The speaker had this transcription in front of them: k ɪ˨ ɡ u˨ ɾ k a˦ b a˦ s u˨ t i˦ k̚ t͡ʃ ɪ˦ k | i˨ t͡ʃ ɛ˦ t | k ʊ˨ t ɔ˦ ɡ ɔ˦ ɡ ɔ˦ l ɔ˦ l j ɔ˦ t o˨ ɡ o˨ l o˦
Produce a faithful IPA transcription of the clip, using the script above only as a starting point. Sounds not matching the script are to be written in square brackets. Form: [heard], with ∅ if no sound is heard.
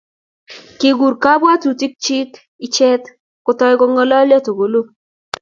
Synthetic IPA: k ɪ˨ ɡ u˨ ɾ k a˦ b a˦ [t] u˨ t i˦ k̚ t͡ʃ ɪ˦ k | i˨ t͡ʃ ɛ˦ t | k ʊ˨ t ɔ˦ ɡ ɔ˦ [ŋ] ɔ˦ l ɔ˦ l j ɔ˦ t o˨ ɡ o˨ l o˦